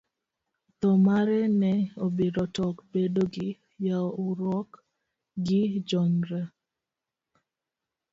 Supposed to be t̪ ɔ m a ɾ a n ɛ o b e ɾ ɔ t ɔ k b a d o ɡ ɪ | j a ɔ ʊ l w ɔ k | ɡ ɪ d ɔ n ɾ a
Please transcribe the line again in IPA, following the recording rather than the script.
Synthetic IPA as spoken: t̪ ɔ m a ɾ ɛ n ɛ o b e ɾ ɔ t ɔ k b e d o ɡ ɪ | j a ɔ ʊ ɾ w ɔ k | ɡ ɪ d͡ʒ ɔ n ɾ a